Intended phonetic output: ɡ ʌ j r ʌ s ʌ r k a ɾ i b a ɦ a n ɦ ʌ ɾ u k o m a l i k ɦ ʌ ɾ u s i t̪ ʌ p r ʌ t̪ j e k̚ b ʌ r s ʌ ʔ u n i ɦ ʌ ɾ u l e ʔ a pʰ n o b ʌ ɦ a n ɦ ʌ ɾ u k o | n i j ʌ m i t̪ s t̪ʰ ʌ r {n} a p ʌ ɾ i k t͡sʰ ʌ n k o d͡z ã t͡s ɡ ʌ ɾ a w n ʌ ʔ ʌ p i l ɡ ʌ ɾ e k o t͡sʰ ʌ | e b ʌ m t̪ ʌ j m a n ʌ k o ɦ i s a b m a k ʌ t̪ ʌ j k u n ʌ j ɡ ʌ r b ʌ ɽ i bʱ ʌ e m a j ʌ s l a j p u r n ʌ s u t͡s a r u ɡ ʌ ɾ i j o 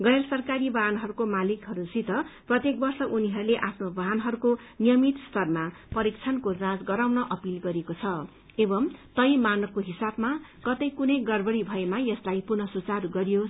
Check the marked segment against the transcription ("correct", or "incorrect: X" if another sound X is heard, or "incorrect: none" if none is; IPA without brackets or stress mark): incorrect: m